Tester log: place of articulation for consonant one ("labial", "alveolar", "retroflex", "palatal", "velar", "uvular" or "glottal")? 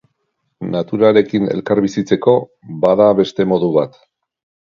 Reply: alveolar